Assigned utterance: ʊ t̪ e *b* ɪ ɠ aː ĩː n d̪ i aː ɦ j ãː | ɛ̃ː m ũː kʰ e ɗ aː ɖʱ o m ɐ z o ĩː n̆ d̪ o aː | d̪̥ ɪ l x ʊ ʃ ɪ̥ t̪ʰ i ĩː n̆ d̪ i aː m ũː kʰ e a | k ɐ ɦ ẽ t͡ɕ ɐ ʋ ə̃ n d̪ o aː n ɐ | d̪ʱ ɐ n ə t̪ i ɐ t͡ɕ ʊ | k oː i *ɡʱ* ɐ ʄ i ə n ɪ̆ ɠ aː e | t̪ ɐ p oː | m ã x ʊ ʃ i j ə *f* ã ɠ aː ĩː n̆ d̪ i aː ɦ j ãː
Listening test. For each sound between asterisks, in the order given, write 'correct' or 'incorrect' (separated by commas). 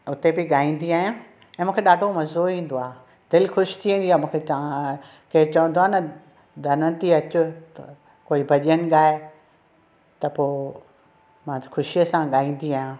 correct, incorrect, incorrect